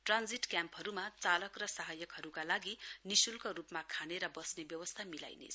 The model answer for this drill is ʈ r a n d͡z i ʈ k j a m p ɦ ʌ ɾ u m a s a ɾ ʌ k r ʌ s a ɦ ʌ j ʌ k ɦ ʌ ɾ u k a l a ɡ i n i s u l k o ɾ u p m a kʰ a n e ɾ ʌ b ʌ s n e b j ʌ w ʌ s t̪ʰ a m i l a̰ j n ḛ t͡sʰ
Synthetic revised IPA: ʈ r a n d͡z i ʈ k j a m p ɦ ʌ ɾ u m a t͡s a l ʌ k r ʌ s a ɦ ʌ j ʌ k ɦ ʌ ɾ u k a l a ɡ i n i s u l k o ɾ u p m a kʰ a n e ɾ ʌ b ʌ s n e b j ʌ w ʌ s t̪ʰ a m i l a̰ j n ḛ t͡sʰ

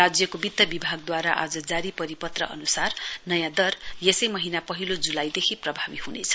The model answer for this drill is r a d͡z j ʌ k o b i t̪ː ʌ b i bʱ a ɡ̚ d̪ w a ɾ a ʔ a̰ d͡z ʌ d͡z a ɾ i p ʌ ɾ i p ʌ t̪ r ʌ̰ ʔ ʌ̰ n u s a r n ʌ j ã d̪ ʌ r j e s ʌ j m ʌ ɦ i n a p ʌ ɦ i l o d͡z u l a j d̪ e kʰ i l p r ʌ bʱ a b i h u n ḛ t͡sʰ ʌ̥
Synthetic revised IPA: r a d͡z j ʌ k o b i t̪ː ʌ b i bʱ a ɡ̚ d̪ w a ɾ a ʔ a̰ d͡z ʌ d͡z a ɾ i p ʌ ɾ i p ʌ t̪ r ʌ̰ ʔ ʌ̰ n u s a r n ʌ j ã d̪ ʌ r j e s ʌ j m ʌ ɦ i n a p ʌ ɦ i l o d͡z u l a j d̪ e kʰ i p r ʌ bʱ a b i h u n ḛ t͡sʰ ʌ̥

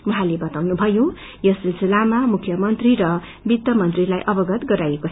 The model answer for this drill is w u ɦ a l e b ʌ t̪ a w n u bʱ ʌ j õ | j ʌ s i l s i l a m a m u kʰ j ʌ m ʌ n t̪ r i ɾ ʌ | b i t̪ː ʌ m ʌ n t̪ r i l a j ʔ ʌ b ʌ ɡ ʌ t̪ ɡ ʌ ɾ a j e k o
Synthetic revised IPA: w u ɦ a l e b ʌ t̪ a w n u bʱ ʌ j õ | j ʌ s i l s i l a m a m u kʰ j ʌ m ʌ n t̪ r i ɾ ʌ | b i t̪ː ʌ m ʌ n t̪ r i l a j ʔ ʌ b ʌ ɡ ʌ t̪ ɡ ʌ ɾ a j e k o

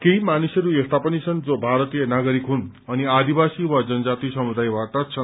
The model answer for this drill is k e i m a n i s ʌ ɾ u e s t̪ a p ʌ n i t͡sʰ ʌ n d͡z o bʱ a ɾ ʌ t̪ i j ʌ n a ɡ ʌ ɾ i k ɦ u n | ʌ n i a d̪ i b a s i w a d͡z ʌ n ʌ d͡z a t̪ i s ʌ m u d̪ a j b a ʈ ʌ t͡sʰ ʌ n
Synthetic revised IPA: k e i m a n i s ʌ ɾ u e s t̪ a p ʌ n i t͡sʰ ʌ n d͡z o bʱ a ɾ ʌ t̪ i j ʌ n a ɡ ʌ ɾ i k ɦ u n | ʌ n i a d̪ i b a s i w a d͡z ʌ n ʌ d͡z a t̪ i s ʌ m u d̪ a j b a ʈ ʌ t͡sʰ ʌ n

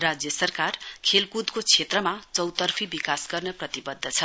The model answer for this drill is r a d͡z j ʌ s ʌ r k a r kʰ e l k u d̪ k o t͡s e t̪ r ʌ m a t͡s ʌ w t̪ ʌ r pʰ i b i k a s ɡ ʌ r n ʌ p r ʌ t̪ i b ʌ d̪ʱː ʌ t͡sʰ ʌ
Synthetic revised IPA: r a d͡z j ʌ s ʌ r k a r kʰ e l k u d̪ k o t͡sʰ e t̪ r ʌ m a t͡s ʌ w t̪ ʌ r pʰ i b i k a s ɡ ʌ r n ʌ p r ʌ t̪ i b ʌ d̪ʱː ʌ t͡sʰ ʌ

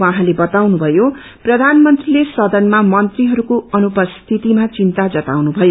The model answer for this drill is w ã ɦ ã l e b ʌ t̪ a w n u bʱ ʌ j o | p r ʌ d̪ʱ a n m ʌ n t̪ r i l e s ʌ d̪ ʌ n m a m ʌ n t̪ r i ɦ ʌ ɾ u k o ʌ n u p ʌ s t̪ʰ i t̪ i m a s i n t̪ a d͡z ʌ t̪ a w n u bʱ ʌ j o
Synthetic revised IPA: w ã ɦ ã l e b ʌ t̪ a w n u bʱ ʌ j o | p r ʌ d̪ʱ a n m ʌ n t̪ r i l e s ʌ d̪ ʌ n m a m ʌ n t̪ r i ɦ ʌ ɾ u k o ʌ n u p ʌ s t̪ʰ i t̪ i m a t͡s i n t̪ a d͡z ʌ t̪ a w n u bʱ ʌ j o

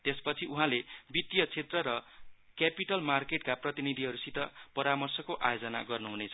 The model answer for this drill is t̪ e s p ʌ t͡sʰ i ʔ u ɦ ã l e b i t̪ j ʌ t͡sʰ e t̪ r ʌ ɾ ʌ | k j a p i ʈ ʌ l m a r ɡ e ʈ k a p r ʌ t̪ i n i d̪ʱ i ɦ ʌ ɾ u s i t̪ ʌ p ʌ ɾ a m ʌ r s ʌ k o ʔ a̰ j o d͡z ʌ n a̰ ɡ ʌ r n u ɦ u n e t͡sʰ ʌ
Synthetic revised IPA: t̪ e s p ʌ t͡sʰ i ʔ u ɦ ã l e b i t̪ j ʌ t͡sʰ e t̪ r ʌ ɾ ʌ | k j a p i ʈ ʌ l m a r k e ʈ k a p r ʌ t̪ i n i d̪ʱ i ɦ ʌ ɾ u s i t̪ ʌ p ʌ ɾ a m ʌ r s ʌ k o ʔ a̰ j o d͡z ʌ n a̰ ɡ ʌ r n u ɦ u n e t͡sʰ ʌ

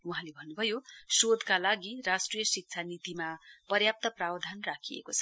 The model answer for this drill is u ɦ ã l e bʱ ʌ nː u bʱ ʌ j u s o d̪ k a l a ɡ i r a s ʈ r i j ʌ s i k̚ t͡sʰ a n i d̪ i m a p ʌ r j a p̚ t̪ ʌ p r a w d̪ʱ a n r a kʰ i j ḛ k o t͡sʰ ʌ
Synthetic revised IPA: u ɦ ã l e bʱ ʌ nː u bʱ ʌ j o s o d̪ k a l a ɡ i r a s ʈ r i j ʌ s i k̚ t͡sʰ a n i t̪ i m a p ʌ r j a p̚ t̪ ʌ p r a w d̪ʱ a n r a kʰ i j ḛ k o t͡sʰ ʌ

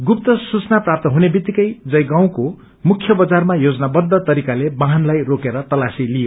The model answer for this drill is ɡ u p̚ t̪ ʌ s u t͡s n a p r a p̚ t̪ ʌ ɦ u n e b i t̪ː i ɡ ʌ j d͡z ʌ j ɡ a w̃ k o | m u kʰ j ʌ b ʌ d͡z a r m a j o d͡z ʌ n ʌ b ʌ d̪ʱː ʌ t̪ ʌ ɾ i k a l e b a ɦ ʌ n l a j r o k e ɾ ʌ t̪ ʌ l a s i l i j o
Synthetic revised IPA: ɡ u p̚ t̪ ʌ s u t͡s n a p r a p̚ t̪ ʌ ɦ u n e b i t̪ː i k ʌ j d͡z ʌ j ɡ a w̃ k o | m u kʰ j ʌ b ʌ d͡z a r m a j o d͡z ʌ n a b ʌ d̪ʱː ʌ t̪ ʌ ɾ i k a l e b a ɦ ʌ n l a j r o k e ɾ ʌ t̪ ʌ l a s i l i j o

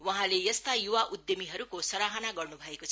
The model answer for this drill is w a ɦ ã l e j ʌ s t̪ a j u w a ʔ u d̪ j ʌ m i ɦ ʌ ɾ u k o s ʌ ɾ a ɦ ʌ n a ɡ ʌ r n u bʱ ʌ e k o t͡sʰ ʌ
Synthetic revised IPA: w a ɦ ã l e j ʌ s t̪ a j u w a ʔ u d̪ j ʌ m i ɦ ʌ ɾ u k o s ʌ ɾ a ɦ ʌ n a ɡ ʌ r n u bʱ ʌ e k o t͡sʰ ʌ

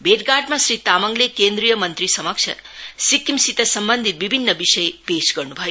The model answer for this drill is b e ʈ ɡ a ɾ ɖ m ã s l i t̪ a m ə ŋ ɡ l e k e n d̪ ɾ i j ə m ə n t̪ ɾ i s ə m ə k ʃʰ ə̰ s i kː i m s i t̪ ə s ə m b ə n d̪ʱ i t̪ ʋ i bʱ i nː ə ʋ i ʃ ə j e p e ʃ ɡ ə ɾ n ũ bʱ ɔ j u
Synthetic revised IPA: b e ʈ ɡ a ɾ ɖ m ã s ɾ i t̪ a m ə ŋ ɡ l e k e n d̪ ɾ i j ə m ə n t̪ ɾ i s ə m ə k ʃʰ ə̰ s i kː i m s i t̪ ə s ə m b ə n d̪ʱ i t̪ ʋ i bʱ i nː ə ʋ i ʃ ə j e p e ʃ ɡ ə ɾ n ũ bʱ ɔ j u

